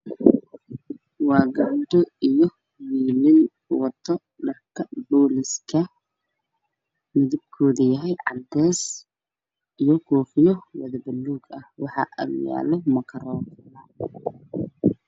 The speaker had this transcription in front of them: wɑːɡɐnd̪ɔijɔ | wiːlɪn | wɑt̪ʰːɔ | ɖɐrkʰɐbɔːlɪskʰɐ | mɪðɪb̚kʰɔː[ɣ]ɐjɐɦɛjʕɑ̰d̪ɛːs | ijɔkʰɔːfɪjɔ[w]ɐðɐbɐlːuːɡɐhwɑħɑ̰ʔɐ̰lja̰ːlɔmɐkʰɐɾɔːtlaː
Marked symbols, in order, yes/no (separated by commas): no, yes